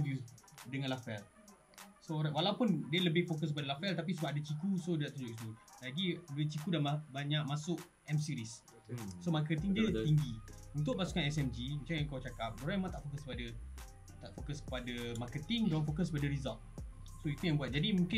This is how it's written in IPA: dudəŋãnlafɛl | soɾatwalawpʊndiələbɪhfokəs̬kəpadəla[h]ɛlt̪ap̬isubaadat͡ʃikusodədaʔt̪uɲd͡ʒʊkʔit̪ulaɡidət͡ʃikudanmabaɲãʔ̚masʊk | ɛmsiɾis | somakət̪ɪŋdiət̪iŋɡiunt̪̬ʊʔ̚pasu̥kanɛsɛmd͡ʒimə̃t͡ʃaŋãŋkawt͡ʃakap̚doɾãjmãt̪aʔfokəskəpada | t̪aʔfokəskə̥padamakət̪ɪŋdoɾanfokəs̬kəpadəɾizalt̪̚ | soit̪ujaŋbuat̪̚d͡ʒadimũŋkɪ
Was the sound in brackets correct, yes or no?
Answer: no